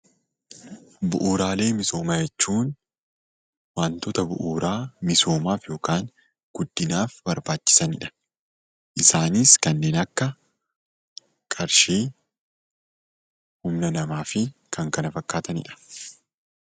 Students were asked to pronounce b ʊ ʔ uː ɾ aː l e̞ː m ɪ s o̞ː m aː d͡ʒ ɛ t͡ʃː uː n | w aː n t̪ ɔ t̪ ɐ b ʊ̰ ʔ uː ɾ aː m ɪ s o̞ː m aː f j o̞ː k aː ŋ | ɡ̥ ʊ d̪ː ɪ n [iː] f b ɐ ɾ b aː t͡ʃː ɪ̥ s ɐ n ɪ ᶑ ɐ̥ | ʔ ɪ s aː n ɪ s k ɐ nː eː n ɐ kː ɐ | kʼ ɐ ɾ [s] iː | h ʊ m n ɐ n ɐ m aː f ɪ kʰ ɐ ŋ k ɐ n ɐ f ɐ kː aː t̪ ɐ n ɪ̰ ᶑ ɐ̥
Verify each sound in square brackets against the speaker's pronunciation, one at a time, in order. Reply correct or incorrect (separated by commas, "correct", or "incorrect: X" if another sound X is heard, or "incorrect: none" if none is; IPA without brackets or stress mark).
incorrect: aː, incorrect: ʃ